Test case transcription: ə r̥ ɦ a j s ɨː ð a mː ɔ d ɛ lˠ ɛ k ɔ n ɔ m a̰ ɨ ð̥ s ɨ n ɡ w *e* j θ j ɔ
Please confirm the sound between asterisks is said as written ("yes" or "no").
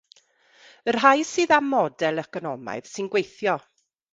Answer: yes